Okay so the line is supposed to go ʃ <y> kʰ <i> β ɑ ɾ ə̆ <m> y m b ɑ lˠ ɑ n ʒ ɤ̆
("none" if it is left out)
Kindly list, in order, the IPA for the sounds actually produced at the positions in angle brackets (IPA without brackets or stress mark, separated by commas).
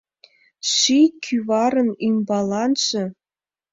i, y, n